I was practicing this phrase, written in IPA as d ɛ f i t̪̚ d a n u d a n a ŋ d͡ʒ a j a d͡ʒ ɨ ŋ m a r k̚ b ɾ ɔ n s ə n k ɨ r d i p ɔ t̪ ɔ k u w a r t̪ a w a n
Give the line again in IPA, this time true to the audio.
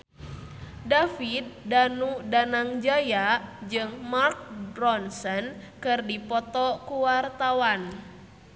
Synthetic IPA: d a f i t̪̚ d a n u d a n a ŋ d͡ʒ a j a d͡ʒ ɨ ŋ m a r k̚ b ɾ ɔ n s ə n k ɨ r d i p ɔ t̪ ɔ k u w a r t̪ a w a n